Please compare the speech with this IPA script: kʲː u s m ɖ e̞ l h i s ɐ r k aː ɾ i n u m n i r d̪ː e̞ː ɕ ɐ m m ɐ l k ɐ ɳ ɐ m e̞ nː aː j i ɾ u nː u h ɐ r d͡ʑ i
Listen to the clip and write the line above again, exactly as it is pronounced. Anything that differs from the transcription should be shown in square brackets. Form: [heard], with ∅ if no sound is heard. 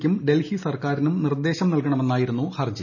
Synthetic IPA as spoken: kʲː u [∅] m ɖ e̞ l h i s ɐ r k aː ɾ i n u m n i r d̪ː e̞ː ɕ ɐ m [n] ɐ l k ɐ ɳ ɐ m e̞ nː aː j i ɾ u nː u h ɐ r d͡ʑ i